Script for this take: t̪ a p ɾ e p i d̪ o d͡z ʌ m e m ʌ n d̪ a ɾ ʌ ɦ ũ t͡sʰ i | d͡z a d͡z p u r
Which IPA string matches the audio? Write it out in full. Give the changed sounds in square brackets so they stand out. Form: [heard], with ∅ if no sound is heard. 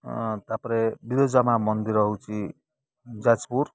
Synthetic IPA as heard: t̪ a p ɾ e [b] i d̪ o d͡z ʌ m [a] m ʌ n d̪ [i] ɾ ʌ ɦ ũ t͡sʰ i | d͡z a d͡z p u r